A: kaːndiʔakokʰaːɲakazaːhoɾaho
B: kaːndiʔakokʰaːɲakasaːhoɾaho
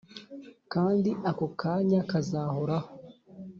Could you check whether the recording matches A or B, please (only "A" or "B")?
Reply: A